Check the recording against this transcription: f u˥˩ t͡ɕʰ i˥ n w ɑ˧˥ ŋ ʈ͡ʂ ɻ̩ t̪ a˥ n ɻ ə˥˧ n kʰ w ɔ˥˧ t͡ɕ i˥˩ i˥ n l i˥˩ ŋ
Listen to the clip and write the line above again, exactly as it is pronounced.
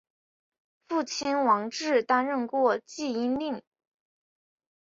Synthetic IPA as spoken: f u˥˩ t͡ɕʰ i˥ n w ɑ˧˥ ŋ ʈ͡ʂ ɻ̩ t̪ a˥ n ɻ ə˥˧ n k w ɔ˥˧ t͡ɕ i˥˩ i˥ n l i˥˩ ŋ